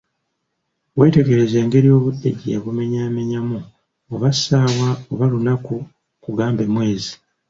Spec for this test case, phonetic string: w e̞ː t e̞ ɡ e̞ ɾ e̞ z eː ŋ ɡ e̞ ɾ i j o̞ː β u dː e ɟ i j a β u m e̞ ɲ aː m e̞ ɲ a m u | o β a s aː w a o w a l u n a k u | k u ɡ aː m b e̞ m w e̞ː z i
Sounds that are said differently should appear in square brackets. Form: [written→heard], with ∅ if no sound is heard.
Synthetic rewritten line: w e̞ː t e̞ ɡ e̞ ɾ e̞ z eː ŋ ɡ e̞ ɾ i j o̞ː β u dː e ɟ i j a β u m e̞ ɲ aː m e̞ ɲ a m u | o β a s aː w a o [w→β] a l u n a k u | k u ɡ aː m b e̞ m w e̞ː z i